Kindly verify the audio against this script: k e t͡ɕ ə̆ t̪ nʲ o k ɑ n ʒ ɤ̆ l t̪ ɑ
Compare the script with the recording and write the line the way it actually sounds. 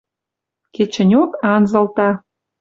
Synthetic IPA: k e t͡ɕ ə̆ nʲ o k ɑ n z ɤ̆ l t̪ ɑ